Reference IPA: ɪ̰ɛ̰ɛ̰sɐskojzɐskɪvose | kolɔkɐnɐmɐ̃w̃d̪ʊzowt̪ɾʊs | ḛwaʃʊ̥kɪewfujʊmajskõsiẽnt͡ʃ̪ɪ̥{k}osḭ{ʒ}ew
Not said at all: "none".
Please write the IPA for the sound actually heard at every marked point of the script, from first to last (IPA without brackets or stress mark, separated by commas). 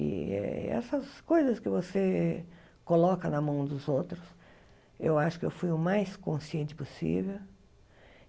p, v